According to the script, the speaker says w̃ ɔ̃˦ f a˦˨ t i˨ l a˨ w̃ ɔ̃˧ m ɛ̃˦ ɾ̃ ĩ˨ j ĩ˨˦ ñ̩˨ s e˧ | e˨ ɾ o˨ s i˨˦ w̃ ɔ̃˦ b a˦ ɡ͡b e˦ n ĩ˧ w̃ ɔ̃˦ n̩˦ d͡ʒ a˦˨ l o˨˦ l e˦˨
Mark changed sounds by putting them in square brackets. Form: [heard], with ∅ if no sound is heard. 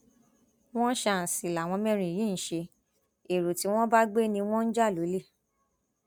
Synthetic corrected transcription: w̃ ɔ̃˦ [ʃ] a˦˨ [s] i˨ l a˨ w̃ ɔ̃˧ m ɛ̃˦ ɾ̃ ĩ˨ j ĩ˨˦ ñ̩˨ [ʃ] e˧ | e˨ ɾ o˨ [t] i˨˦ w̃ ɔ̃˦ b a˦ ɡ͡b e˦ n ĩ˧ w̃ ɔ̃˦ n̩˦ d͡ʒ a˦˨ l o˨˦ l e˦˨